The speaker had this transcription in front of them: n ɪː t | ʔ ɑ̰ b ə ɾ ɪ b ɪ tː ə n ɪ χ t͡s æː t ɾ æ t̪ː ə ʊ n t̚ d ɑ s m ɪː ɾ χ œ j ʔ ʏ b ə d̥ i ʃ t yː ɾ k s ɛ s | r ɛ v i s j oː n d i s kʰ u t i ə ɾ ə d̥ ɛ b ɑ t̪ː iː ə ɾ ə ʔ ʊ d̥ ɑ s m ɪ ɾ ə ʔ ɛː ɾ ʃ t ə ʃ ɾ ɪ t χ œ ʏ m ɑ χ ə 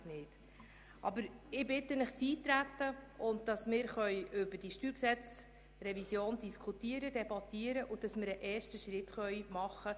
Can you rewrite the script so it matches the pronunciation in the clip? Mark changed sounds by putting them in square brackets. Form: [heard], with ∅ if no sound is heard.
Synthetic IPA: n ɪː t | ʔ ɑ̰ b ə ɾ ɪ b ɪ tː ə n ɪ χ t͡s [iː] t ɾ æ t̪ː ə ʊ n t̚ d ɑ s m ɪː ɾ χ œ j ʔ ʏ b ə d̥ i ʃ t yː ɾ k s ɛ [t͡s] | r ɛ v i s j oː n d i s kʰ u t i ə ɾ ə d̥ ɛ b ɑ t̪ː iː ə ɾ ə ʔ ʊ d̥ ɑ s m ɪ ɾ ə ʔ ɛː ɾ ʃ t ə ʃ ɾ ɪ t χ œ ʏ m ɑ χ ə